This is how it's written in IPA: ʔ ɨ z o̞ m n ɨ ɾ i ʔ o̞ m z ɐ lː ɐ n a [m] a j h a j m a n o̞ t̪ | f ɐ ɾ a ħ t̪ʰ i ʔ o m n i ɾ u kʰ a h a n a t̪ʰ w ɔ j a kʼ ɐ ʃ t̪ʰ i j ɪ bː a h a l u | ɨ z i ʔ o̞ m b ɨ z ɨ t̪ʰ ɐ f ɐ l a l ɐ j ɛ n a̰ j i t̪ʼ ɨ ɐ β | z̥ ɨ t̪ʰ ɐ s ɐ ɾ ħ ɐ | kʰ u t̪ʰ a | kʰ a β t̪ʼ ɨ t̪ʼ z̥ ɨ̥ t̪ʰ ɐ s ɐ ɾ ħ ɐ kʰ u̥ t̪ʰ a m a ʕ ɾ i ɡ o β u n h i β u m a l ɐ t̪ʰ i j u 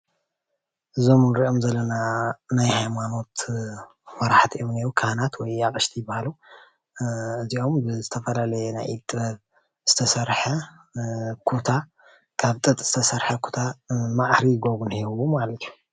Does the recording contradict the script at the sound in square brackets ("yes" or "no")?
yes